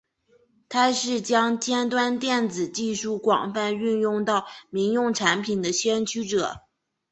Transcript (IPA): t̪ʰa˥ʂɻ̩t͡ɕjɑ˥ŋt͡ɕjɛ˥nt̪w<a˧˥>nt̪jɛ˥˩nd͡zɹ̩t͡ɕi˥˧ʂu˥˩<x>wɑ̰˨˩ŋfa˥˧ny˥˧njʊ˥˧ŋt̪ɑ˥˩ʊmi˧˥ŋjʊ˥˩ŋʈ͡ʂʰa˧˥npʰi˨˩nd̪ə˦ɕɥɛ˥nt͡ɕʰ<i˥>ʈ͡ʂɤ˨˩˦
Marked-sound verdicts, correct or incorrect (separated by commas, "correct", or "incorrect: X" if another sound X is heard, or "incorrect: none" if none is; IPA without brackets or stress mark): incorrect: a˥, incorrect: k, incorrect: y˥